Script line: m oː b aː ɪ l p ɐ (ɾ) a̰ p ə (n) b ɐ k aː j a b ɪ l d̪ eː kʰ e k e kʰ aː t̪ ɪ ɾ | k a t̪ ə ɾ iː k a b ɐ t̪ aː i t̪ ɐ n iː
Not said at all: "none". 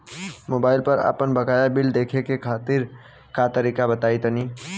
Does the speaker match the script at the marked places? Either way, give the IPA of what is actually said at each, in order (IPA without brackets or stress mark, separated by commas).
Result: ɾ, n